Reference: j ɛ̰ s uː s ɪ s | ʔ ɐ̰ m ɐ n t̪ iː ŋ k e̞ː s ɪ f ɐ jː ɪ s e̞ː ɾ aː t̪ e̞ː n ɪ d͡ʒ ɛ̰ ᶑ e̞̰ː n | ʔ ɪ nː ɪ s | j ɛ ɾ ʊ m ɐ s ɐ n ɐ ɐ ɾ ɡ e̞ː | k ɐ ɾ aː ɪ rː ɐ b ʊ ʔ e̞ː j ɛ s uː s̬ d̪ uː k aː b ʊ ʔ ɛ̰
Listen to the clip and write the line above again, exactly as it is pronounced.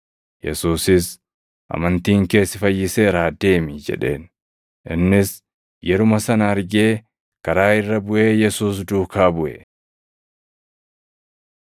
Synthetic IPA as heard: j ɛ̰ s uː s ɪ s | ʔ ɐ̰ m ɐ n t̪ iː ŋ k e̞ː s ɪ f ɐ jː ɪ s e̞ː ɾ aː d̪ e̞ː m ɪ d͡ʒ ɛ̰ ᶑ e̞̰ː n | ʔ ɪ nː ɪ s | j ɛ ɾ ʊ m ɐ s ɐ n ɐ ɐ ɾ ɡ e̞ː | k ɐ ɾ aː ɪ rː ɐ b ʊ ʔ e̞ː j ɛ s uː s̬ d̪ uː k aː b ʊ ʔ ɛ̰